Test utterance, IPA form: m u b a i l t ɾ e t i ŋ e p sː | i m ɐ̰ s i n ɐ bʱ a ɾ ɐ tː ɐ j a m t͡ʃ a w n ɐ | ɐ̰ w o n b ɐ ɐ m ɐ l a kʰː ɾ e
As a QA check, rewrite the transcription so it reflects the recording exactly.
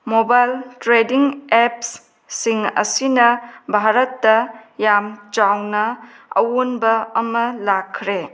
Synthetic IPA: m o b a j l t ɾ e d i ŋ e p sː | i ŋ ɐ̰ s i n ɐ bʱ a ɾ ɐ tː ɐ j a m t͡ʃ a w n ɐ | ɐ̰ w o n b ɐ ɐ m ɐ l a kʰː ɾ e